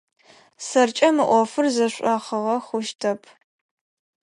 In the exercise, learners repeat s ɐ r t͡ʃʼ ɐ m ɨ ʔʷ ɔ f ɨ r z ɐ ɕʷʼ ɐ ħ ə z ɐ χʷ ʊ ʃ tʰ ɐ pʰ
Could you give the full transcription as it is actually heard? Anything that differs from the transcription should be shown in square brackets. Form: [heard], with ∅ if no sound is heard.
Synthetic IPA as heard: s ɐ r t͡ʃʼ ɐ m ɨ ʔʷ ɔ f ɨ r z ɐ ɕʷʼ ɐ [χ] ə [ʁ] ɐ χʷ ʊ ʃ tʰ ɐ pʰ